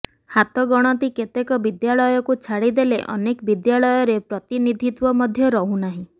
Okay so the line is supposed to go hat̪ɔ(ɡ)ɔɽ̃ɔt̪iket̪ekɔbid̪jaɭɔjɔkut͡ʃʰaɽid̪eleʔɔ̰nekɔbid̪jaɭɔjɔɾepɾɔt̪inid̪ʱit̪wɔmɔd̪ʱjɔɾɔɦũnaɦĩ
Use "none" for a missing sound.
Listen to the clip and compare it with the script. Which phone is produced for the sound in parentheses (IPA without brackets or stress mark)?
ɡ